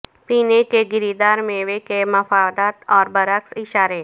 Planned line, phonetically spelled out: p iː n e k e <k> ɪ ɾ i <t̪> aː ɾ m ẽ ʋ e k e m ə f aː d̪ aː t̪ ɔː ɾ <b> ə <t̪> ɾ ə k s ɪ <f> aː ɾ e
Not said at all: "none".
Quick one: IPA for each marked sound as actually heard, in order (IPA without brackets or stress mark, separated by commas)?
ɡ, d̪, b, none, ʃ